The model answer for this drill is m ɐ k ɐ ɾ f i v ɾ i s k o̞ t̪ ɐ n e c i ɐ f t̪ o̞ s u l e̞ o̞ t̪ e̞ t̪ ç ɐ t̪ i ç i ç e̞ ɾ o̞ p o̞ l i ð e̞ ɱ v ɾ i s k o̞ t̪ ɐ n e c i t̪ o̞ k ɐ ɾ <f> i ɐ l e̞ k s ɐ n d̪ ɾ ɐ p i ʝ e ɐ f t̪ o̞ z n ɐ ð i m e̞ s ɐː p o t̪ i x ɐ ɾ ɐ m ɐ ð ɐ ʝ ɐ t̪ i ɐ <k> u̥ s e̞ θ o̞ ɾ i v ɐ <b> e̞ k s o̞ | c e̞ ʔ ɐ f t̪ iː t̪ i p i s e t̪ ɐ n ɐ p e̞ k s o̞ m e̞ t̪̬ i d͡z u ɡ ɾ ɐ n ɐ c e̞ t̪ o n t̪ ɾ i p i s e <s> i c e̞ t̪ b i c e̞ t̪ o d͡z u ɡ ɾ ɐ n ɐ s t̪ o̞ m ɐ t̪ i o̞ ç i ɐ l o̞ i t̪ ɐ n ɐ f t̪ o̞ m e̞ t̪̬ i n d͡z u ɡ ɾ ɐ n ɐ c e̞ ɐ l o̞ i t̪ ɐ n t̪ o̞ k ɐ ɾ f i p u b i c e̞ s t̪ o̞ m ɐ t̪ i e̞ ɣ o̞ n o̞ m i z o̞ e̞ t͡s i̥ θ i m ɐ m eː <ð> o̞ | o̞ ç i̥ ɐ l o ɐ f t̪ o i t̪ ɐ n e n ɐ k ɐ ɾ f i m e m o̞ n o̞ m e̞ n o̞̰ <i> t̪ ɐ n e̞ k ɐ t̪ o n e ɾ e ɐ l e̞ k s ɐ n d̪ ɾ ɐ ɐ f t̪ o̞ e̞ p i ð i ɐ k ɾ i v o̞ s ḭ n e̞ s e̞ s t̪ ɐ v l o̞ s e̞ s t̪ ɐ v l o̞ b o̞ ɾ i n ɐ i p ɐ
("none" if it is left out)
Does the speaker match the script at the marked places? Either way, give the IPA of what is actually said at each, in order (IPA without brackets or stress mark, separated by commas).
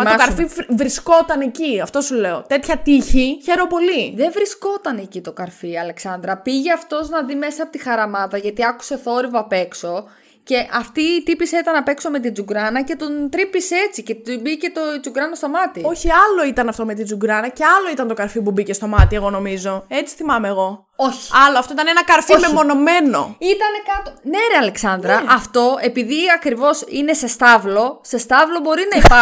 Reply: f, k, p, t͡s, ɣ, i